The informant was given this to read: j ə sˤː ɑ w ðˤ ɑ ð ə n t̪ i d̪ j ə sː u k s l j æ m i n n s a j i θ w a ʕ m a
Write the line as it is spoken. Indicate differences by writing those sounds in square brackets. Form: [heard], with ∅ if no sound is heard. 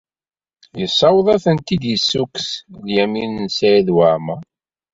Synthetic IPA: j ə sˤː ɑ w ðˤ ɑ [θ] ə n t̪ i d̪ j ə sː u k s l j æ m i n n s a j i [ð] w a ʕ m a